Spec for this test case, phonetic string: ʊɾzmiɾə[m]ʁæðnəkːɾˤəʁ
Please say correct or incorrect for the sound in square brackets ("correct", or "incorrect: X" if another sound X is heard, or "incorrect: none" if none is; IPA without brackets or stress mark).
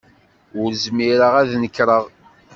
incorrect: none